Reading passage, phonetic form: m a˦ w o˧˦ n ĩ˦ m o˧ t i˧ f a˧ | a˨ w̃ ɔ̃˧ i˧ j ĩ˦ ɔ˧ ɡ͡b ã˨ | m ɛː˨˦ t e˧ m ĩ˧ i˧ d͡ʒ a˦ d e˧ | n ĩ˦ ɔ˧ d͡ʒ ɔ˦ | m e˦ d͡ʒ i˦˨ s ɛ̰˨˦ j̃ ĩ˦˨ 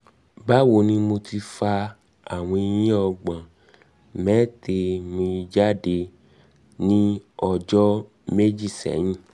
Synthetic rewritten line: b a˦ w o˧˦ n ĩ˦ m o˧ t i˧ f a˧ | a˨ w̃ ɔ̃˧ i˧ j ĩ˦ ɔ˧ ɡ͡b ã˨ | m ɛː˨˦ t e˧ m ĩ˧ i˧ d͡ʒ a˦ d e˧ | n ĩ˦ ɔ˧ d͡ʒ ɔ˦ | m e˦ d͡ʒ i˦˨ s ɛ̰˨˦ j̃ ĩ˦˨